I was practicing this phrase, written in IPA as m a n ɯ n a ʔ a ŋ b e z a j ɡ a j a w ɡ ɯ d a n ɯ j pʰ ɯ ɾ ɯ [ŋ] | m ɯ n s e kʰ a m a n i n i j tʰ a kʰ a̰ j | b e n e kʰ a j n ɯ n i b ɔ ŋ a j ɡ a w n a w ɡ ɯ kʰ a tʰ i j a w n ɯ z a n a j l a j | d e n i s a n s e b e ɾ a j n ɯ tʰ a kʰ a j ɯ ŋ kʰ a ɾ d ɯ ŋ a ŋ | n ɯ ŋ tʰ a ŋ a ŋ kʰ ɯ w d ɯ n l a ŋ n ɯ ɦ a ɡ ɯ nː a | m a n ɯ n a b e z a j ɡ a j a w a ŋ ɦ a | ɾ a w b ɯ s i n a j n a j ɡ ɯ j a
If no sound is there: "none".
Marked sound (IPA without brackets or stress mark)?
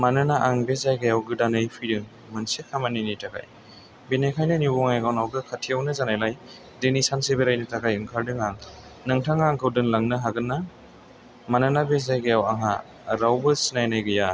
ŋ